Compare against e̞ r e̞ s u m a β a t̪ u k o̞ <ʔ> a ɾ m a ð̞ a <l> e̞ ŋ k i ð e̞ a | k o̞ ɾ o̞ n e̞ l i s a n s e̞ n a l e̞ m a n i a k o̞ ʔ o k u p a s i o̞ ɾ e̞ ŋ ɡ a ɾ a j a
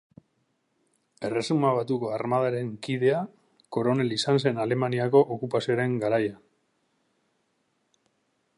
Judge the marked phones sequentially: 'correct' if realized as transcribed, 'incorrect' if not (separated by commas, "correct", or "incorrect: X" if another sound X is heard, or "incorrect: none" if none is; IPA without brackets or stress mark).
incorrect: none, incorrect: ɾ